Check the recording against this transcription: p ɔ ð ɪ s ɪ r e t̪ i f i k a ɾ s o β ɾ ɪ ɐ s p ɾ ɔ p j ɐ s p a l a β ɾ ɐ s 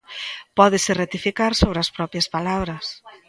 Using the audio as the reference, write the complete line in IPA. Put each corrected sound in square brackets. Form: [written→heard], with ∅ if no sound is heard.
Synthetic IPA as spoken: p ɔ ð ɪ s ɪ r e t̪ i f i k a ɾ s o β ɾ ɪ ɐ s p ɾ ɔ p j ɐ s p a l a β ɾ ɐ s

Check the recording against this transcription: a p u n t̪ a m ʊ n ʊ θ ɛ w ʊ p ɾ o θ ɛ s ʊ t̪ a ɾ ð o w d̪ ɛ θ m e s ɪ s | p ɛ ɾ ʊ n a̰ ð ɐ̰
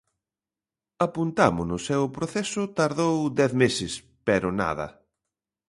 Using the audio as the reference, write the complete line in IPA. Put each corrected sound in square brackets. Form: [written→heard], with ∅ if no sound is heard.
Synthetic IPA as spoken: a p u n t̪ a m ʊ n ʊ [θ→s] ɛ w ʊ p ɾ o θ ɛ s ʊ t̪ a ɾ ð o w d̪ ɛ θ m e s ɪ s | p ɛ ɾ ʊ n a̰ ð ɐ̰

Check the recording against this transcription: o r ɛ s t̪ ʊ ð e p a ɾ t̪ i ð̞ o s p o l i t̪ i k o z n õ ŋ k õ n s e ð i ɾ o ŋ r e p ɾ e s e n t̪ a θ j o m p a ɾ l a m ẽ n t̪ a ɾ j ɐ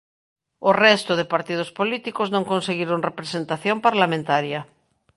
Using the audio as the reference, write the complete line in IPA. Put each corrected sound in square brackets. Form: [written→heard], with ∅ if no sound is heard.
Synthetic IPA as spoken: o r ɛ s t̪ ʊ ð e p a ɾ t̪ i ð̞ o s p o l i t̪ i k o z n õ ŋ k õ n s e [ð→ɣ] i ɾ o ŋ r e p ɾ e s e n t̪ a θ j o m p a ɾ l a m ẽ n t̪ a ɾ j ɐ

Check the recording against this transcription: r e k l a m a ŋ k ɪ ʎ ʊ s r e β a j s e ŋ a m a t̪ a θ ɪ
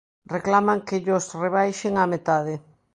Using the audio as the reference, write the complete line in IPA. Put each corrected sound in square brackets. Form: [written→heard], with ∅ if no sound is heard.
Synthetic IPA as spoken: r e k l a m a ŋ k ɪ ʎ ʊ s r e β a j [s→ʃ] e ŋ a m [a→e] t̪ a [θ→ð] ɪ

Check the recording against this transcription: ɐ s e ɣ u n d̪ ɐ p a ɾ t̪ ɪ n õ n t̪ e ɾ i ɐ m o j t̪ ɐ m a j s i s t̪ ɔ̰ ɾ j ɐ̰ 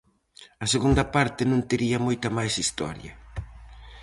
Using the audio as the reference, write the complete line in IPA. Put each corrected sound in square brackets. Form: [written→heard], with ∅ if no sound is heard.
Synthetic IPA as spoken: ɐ s e ɣ u n d̪ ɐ p a ɾ t̪ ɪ n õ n t̪ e ɾ i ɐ m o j t̪ ɐ m a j s i s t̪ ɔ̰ ɾ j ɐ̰

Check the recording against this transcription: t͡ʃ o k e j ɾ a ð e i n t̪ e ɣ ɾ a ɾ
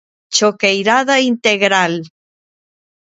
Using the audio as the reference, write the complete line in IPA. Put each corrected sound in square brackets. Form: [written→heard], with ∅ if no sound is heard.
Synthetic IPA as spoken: t͡ʃ o k e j ɾ a ð [e→a] i n t̪ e ɣ ɾ a [ɾ→l]

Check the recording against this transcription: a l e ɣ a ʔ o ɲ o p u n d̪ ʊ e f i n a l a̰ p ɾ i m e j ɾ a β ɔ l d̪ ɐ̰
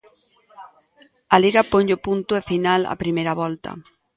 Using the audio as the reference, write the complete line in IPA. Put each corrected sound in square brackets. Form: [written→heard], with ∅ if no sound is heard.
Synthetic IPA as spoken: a l [e→i] ɣ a [ʔ→p] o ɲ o p u n [d̪→t̪] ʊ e f i n a l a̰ p ɾ i m e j ɾ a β ɔ l [d̪→t̪] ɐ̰

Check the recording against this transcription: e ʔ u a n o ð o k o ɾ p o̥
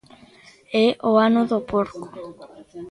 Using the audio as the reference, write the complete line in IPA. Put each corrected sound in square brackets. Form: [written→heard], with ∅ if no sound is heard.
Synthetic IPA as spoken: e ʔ [u→o] a n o ð o [k→p] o ɾ [p→k] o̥

